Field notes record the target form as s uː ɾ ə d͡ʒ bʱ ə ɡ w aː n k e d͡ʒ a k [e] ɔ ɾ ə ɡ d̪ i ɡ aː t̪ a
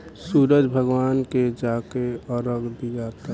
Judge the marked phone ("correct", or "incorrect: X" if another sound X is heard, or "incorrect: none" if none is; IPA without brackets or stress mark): correct